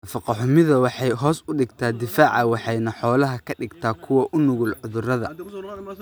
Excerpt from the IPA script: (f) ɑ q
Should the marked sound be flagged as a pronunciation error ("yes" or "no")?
no